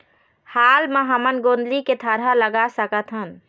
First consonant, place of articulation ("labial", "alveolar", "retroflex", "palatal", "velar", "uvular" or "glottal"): glottal